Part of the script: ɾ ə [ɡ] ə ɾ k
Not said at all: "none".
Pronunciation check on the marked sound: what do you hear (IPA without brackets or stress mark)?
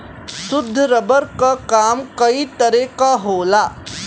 b